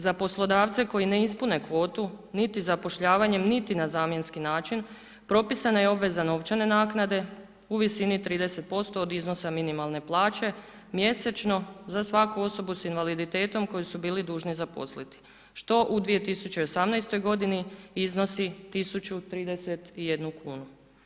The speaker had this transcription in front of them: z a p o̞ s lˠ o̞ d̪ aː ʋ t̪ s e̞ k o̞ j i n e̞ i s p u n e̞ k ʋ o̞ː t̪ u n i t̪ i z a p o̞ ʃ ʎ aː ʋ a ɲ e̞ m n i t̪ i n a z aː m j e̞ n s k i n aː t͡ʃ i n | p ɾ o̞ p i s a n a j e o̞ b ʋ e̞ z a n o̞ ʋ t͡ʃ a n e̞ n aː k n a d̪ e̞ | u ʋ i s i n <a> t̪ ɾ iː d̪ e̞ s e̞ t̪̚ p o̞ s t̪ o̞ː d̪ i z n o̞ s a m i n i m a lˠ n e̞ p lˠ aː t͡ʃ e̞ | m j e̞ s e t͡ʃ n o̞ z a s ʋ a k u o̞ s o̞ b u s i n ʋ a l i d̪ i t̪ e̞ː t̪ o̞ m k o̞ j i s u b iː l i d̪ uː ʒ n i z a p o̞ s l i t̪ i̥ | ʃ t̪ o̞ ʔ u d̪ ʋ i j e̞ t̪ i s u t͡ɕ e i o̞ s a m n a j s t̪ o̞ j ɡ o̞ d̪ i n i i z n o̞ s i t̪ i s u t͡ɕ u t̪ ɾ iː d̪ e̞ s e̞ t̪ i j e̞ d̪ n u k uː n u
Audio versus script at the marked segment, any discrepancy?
yes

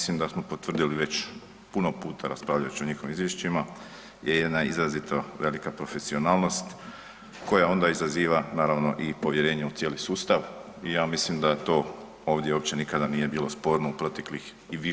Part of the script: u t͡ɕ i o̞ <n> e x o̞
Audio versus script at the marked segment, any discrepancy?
yes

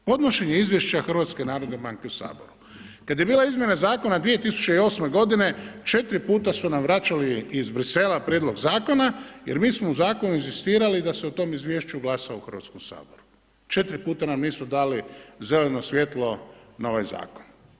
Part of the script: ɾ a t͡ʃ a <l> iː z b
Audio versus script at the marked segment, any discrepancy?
no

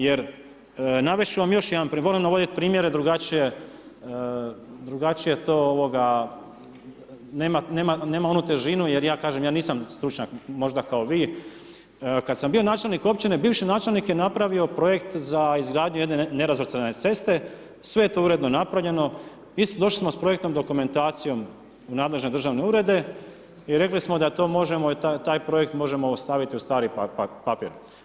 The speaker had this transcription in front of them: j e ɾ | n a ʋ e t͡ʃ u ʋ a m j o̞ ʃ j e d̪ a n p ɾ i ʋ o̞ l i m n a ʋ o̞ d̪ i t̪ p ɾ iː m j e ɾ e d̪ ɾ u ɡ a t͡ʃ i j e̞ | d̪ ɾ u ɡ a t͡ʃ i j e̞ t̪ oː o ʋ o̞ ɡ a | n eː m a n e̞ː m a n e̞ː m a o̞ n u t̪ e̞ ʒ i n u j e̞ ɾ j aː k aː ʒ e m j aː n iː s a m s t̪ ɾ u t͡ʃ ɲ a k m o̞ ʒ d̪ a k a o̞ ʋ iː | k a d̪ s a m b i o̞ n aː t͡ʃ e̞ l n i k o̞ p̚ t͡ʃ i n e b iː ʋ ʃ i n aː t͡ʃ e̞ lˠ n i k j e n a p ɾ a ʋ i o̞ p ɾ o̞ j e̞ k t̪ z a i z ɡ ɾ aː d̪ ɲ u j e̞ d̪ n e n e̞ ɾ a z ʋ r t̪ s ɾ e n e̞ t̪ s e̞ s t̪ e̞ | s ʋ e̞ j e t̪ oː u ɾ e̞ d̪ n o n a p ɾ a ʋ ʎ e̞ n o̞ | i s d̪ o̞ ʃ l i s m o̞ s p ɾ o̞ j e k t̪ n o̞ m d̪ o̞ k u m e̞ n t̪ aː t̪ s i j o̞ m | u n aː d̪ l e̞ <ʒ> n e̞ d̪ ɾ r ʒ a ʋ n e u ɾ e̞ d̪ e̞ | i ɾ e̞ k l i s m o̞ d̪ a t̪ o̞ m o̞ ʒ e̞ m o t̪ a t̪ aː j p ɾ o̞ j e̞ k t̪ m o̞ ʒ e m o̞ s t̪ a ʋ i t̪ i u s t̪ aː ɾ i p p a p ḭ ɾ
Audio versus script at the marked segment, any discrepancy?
no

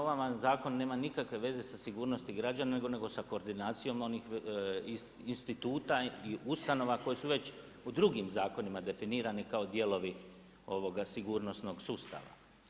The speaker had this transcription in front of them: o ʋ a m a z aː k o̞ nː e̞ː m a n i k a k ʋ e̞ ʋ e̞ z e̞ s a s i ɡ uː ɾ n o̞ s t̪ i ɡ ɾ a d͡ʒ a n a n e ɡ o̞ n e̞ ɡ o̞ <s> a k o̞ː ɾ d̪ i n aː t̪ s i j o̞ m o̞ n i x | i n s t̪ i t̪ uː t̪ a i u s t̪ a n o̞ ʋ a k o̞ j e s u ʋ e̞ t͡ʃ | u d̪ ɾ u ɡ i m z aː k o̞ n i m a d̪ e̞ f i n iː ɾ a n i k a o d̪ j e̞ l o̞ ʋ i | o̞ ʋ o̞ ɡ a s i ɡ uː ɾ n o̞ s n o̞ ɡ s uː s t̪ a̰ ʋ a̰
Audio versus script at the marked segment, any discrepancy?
no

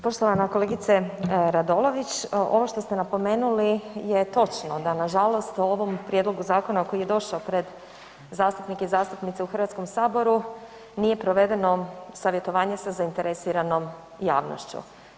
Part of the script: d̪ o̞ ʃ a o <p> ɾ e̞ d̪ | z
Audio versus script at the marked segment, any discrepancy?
no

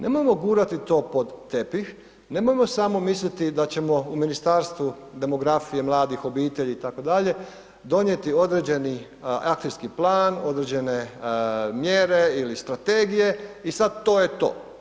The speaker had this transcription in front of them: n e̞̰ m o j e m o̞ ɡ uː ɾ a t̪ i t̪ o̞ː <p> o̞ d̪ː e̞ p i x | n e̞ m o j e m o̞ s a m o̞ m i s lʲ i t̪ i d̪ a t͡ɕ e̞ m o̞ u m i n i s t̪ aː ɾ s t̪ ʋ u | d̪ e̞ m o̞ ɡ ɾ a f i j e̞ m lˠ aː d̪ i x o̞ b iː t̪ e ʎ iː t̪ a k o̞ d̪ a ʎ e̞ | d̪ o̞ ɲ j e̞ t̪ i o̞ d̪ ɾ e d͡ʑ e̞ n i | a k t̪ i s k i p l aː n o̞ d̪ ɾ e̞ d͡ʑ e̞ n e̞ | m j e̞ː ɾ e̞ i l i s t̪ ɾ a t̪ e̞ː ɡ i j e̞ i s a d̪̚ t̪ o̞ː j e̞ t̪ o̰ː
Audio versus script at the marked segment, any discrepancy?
no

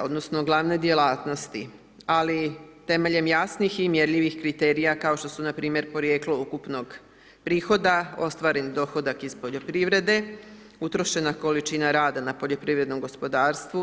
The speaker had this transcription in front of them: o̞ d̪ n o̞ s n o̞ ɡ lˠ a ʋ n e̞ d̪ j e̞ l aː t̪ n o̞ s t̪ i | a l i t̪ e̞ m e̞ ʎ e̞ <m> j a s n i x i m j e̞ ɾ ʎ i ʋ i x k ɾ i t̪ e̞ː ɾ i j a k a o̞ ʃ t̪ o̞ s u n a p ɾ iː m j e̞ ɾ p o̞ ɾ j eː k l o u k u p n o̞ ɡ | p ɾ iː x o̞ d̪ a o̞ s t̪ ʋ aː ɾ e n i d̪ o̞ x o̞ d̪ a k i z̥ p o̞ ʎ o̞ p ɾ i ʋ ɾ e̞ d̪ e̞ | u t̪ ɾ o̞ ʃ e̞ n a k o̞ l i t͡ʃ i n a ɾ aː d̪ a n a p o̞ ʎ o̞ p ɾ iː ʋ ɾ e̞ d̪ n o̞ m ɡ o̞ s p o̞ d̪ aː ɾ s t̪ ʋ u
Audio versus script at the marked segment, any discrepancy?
no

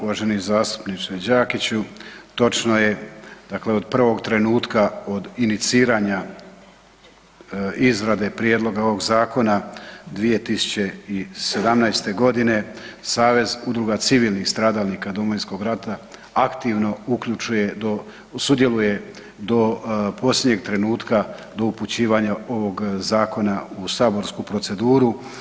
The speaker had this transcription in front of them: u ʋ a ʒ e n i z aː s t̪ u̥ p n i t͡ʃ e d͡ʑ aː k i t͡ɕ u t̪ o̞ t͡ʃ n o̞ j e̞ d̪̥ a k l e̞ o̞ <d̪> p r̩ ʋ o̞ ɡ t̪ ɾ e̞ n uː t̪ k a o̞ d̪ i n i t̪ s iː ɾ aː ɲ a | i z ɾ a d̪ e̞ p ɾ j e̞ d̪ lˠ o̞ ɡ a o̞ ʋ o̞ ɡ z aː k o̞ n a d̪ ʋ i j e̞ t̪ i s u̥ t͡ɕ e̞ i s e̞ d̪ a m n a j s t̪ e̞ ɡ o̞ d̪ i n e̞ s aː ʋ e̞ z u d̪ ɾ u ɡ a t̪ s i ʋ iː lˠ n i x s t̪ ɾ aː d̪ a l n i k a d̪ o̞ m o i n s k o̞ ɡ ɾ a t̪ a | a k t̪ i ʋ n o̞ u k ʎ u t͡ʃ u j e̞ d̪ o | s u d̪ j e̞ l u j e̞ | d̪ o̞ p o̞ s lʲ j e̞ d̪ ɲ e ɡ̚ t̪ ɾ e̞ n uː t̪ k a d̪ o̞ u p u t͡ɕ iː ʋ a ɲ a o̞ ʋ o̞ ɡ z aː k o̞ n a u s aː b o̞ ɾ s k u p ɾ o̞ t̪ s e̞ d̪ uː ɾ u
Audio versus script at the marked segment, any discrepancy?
no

